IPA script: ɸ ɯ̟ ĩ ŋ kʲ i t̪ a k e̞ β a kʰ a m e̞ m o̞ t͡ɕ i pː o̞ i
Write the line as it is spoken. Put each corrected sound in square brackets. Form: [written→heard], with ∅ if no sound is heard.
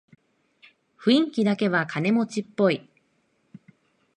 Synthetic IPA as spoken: ɸ ɯ̟ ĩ ŋ kʲ i [t̪→d̪] a k e̞ β a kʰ a [m→n] e̞ m o̞ t͡ɕ i pː o̞ i